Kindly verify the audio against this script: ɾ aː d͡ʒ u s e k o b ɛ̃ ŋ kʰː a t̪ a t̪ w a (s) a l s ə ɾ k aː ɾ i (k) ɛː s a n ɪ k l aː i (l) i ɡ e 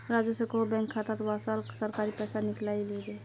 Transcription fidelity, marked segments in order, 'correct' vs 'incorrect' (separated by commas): correct, incorrect, correct